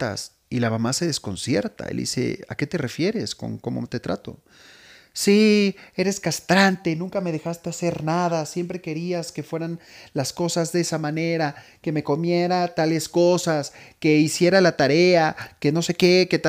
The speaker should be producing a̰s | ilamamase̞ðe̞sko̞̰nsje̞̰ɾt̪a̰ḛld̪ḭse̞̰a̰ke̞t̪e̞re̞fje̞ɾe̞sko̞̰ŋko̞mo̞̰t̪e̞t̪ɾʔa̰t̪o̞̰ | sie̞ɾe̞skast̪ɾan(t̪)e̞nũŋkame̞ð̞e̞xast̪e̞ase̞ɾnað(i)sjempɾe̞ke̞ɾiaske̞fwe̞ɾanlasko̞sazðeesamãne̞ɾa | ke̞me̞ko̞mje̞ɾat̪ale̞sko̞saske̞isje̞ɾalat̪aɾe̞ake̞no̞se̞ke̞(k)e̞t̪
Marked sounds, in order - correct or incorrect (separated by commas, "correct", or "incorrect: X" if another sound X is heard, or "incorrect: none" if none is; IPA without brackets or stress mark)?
correct, incorrect: a, correct